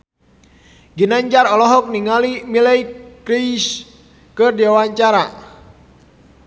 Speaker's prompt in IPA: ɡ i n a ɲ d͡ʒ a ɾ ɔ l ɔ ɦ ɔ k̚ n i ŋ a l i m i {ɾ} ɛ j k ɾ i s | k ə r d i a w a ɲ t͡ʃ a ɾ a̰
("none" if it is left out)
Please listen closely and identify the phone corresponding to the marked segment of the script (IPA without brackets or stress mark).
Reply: l